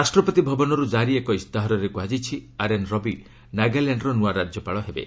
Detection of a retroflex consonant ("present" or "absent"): present